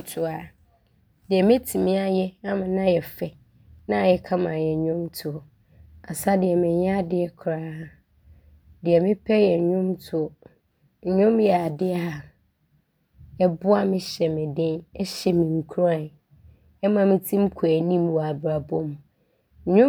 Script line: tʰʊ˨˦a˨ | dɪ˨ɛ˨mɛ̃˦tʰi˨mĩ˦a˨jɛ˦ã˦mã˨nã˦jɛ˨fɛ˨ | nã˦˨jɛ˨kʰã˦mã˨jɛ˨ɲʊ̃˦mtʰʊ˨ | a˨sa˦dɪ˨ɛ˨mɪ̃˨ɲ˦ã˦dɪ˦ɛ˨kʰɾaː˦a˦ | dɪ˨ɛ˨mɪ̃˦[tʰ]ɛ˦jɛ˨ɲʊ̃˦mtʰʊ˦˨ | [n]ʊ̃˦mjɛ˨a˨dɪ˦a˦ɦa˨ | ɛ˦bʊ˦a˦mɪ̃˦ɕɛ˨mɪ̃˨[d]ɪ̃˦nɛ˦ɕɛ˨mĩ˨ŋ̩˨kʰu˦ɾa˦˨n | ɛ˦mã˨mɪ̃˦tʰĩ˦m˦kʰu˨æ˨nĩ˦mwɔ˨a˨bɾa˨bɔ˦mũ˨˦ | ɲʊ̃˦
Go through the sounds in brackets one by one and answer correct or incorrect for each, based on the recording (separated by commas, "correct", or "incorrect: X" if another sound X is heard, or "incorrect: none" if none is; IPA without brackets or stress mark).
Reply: incorrect: pʰ, incorrect: ɲ, correct